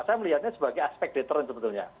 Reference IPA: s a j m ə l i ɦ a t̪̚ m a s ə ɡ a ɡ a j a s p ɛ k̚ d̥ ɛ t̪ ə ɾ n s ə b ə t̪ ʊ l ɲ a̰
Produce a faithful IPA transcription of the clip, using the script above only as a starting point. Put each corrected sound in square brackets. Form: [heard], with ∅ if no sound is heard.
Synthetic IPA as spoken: s a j m ə l i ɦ a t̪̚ [ɲ] a s ə [b] a ɡ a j a s p ɛ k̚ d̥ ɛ t̪ ə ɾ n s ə b ə t̪ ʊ l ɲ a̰